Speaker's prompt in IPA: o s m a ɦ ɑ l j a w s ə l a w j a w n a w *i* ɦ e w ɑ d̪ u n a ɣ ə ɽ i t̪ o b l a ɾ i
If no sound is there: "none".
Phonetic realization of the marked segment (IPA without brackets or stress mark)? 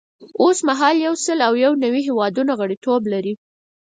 i